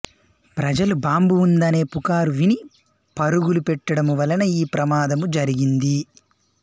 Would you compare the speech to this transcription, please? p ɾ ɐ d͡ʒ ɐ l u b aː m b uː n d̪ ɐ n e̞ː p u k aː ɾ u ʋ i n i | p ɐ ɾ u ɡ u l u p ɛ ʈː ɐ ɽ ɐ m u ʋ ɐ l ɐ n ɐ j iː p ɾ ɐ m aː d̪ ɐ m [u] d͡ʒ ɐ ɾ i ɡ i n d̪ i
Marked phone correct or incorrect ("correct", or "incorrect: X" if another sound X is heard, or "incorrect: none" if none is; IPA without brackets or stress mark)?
correct